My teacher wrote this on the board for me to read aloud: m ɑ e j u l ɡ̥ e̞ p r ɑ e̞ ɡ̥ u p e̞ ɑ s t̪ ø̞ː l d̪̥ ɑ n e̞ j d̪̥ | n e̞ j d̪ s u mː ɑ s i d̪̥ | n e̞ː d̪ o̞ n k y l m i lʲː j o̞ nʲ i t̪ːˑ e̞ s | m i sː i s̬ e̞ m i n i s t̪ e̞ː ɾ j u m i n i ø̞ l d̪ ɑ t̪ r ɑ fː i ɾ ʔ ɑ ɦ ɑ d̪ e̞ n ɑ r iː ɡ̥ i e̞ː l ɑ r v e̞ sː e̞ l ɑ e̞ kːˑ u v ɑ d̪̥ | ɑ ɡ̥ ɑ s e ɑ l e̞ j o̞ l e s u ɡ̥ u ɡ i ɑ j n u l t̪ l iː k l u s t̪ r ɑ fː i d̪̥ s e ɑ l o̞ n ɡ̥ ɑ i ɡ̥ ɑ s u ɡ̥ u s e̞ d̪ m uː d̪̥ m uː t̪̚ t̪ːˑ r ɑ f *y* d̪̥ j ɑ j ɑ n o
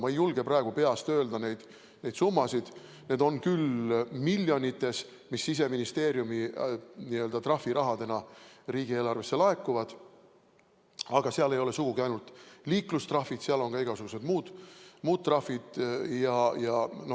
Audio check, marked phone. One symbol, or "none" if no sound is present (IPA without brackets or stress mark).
i